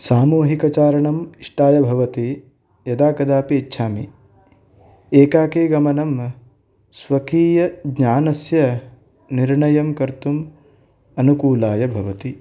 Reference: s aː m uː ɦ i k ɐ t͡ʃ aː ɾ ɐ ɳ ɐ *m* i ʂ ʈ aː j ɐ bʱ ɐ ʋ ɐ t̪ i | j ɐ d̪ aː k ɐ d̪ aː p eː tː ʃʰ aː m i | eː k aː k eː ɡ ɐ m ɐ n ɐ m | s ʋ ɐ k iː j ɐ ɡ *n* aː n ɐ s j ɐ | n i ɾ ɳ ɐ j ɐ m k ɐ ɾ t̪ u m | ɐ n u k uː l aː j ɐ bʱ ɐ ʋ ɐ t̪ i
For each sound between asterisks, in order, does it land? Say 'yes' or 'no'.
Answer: yes, no

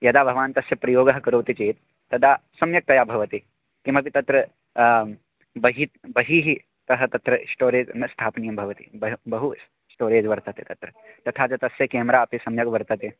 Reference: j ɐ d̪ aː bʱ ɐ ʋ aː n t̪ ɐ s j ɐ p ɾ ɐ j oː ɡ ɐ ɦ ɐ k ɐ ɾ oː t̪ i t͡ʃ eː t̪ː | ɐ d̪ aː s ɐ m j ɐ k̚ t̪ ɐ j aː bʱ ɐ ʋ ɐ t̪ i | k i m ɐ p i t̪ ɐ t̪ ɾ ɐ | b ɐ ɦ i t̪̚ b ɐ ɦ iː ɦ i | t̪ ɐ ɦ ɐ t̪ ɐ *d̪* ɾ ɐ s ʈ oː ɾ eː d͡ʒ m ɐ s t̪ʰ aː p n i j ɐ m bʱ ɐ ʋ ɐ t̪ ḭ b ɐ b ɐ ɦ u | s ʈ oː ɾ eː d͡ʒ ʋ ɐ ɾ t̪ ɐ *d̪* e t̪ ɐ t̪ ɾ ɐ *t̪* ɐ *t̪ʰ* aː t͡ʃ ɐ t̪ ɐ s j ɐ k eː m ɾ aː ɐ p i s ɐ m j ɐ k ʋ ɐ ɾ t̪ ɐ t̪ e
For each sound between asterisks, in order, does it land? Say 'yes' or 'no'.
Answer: no, no, yes, yes

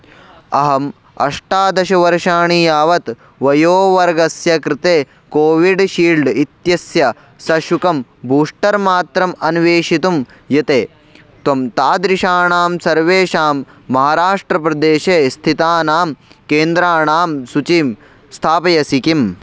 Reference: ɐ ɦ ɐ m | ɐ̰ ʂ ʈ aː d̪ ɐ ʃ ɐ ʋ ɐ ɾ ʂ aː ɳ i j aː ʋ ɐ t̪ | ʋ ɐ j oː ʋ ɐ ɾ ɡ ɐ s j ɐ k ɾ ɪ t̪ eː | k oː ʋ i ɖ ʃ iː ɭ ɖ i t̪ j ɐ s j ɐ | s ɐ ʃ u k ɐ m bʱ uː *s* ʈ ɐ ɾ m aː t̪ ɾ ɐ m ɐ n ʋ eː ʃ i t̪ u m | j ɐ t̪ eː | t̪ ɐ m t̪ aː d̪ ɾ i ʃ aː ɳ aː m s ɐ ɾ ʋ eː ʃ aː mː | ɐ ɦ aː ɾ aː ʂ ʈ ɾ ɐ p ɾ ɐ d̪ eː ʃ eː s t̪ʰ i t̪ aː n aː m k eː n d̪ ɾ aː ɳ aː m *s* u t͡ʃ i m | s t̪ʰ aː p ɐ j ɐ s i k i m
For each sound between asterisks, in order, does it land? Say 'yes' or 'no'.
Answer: no, yes

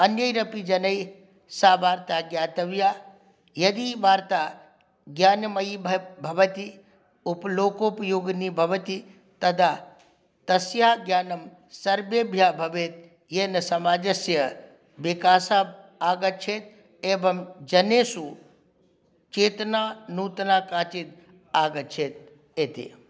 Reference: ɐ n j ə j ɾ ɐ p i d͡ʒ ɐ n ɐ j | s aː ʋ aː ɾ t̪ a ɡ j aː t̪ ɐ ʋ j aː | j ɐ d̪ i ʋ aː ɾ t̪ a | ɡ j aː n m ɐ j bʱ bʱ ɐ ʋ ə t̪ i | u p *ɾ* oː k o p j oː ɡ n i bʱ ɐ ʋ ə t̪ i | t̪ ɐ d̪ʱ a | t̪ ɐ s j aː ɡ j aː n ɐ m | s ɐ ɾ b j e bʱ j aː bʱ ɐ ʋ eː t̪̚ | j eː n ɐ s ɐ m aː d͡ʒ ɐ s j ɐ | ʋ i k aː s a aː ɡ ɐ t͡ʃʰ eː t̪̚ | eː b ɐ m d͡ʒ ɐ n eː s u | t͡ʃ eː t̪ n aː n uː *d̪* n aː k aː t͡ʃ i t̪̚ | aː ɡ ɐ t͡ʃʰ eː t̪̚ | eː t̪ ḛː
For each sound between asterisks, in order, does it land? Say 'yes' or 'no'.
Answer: no, no

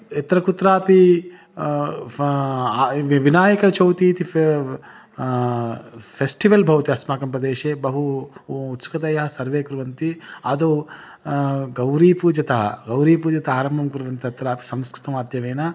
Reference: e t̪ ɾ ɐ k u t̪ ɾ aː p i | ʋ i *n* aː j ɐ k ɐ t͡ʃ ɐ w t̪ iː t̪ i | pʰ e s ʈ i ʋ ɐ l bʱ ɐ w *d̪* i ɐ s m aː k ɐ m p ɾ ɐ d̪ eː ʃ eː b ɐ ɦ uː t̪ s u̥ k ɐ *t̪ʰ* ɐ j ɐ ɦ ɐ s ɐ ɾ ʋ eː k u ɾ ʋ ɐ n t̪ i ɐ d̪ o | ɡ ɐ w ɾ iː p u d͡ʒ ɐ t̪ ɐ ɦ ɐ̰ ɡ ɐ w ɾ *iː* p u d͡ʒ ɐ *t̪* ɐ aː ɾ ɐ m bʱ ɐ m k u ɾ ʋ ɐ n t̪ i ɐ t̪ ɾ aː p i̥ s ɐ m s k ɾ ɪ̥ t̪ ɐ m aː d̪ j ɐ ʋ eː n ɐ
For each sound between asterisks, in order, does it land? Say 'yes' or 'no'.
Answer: yes, no, no, yes, yes

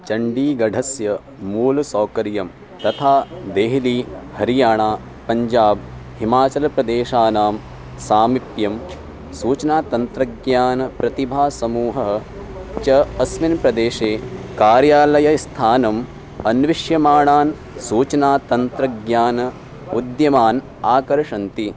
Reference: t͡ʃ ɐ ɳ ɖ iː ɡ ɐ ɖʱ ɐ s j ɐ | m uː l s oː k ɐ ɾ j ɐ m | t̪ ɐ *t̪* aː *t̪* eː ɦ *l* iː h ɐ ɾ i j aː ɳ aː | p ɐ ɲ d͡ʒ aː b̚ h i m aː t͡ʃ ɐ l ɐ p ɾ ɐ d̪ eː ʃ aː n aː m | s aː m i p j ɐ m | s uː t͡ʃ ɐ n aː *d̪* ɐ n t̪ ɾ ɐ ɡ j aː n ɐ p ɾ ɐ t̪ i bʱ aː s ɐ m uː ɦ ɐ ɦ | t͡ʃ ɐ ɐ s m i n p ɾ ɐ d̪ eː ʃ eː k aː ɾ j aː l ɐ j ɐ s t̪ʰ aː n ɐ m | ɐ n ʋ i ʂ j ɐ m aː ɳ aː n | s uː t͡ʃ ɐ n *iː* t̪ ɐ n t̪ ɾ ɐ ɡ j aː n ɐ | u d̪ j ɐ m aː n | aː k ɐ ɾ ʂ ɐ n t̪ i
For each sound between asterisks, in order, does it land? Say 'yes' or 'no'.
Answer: no, no, yes, no, no

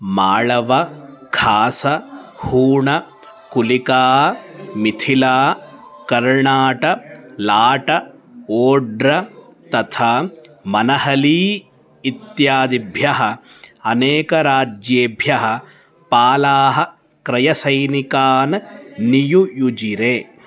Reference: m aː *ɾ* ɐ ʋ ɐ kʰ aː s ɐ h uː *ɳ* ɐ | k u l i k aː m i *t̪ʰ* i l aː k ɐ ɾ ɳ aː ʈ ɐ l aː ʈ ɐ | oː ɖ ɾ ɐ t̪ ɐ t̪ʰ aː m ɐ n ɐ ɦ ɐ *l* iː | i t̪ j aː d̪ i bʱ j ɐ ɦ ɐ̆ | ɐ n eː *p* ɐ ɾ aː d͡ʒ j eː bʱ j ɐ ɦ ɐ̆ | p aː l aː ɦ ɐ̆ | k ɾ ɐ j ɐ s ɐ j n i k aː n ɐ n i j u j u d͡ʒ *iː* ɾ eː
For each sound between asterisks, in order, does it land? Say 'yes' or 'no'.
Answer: no, yes, yes, yes, no, no

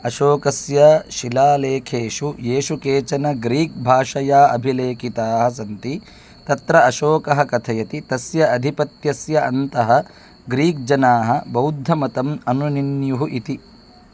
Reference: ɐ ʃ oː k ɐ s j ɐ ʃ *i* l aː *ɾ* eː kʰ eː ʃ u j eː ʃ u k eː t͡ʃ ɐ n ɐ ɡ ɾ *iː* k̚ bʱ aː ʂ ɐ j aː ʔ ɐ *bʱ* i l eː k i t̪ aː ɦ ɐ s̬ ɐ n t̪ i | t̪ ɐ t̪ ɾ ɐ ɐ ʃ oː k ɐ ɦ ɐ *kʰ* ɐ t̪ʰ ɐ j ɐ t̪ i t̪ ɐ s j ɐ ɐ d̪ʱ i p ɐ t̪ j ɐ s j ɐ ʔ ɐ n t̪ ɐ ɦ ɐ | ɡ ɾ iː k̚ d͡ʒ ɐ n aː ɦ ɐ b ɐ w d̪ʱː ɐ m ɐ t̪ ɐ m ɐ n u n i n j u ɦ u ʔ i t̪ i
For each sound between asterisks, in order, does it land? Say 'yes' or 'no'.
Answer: yes, no, yes, yes, no

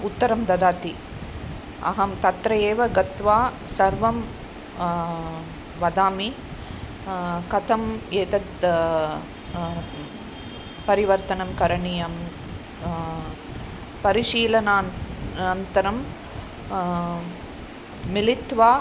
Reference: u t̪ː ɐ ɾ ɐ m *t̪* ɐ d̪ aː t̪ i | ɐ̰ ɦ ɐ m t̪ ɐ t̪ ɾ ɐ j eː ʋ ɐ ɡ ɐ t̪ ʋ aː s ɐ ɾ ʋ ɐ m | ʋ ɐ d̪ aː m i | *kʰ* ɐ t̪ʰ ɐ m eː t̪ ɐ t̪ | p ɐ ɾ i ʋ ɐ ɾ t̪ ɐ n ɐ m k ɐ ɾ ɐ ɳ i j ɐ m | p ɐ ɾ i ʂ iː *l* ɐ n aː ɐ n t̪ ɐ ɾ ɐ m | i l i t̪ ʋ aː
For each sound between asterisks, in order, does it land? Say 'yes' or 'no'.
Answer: no, no, yes

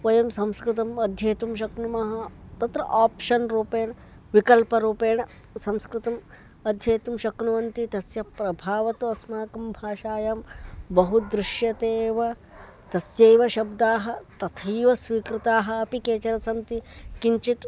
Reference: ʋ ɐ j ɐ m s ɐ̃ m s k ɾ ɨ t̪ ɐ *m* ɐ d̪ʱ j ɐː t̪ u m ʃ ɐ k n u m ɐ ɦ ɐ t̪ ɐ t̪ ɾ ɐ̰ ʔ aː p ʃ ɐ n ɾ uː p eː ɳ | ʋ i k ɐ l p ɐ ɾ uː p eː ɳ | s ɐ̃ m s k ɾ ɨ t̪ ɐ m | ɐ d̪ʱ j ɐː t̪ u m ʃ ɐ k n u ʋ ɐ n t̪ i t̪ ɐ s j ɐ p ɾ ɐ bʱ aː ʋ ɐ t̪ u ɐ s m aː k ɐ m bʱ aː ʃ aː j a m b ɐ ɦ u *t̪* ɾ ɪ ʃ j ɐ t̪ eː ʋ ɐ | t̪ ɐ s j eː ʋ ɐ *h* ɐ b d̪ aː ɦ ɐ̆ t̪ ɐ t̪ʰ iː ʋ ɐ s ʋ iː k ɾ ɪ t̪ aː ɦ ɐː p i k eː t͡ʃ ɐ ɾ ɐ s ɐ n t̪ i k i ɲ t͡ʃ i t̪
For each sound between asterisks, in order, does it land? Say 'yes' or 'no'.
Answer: yes, no, no

